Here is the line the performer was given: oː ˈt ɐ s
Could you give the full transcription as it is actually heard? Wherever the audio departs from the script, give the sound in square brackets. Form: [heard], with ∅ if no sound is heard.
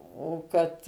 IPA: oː [ˈk] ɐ [t]